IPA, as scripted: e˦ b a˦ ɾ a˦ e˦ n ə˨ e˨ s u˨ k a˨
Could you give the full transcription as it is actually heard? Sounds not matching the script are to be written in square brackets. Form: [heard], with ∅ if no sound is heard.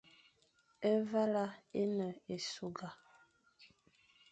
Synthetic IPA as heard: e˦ [v] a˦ [l] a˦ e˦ n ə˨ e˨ s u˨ [ɡ] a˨